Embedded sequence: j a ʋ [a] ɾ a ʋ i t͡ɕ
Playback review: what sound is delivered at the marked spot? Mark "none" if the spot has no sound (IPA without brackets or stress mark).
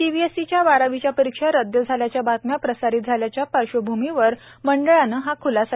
a